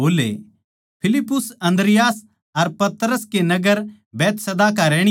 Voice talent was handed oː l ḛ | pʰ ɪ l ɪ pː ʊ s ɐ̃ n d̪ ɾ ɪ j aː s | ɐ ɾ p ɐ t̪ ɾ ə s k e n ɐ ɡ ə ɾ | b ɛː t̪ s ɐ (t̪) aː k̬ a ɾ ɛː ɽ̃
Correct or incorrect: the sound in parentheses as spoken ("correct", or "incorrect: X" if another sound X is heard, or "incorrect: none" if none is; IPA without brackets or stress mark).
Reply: incorrect: d̪